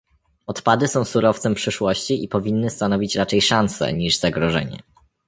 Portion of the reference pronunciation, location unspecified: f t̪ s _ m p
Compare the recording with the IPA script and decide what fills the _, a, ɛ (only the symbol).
ɛ